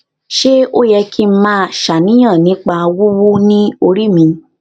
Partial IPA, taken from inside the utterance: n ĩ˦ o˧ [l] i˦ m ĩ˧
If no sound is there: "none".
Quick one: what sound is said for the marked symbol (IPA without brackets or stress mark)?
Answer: ɾ